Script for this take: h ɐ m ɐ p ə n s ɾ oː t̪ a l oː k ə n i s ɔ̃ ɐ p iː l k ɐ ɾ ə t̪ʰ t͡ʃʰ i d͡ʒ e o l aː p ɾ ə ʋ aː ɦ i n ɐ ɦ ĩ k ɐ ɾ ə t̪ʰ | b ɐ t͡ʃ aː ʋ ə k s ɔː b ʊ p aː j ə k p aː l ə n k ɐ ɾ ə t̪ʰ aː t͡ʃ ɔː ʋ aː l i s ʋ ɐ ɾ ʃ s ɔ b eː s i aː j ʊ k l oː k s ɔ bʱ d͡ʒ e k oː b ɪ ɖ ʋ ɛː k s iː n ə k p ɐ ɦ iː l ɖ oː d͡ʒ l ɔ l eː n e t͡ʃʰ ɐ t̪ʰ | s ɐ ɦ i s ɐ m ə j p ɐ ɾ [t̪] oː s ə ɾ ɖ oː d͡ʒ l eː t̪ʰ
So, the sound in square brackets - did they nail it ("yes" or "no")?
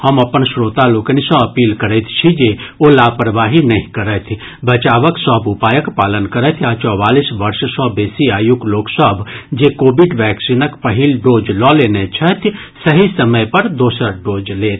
no